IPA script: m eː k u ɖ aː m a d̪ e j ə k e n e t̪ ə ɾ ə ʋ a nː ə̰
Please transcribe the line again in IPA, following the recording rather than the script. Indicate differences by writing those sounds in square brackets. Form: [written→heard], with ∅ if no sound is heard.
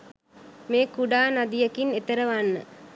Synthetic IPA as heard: m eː k u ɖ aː [m→n] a d̪ [e→i] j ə k [e→i] n e t̪ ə ɾ ə ʋ a nː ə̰